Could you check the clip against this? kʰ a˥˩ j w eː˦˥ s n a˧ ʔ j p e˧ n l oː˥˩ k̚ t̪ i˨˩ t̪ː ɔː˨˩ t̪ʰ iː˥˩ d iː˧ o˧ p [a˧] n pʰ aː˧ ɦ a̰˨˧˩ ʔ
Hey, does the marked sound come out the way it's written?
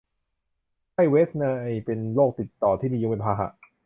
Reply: no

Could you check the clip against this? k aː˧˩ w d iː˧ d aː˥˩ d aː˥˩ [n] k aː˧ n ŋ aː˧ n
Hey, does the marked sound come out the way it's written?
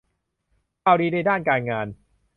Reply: yes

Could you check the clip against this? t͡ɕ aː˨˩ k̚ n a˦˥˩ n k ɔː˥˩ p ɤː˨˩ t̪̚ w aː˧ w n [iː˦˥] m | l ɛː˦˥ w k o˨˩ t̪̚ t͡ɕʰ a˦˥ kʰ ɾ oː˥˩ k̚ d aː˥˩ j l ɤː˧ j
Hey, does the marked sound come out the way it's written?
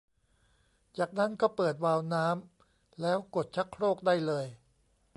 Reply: no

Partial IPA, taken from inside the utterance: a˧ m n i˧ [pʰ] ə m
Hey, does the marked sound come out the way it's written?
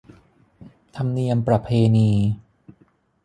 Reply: no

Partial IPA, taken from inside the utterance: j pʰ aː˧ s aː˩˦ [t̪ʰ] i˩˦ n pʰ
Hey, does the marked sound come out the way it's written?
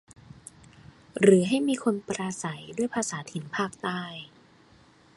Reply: yes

